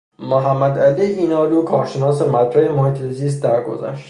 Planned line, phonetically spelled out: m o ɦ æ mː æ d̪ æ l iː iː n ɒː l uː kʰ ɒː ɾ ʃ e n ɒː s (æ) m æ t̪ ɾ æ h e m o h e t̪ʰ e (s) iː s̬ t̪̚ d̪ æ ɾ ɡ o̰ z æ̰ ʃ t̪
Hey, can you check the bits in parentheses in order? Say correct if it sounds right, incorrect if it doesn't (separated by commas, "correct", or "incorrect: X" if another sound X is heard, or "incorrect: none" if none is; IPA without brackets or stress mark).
incorrect: e, incorrect: z